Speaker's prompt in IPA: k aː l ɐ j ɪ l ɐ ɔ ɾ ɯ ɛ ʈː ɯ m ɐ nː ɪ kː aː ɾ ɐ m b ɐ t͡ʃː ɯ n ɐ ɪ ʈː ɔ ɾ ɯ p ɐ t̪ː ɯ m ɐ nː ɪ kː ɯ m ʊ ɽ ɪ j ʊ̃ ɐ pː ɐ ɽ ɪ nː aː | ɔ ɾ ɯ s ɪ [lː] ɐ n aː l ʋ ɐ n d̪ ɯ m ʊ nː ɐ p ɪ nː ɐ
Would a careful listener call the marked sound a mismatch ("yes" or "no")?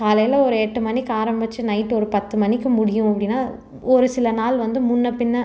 yes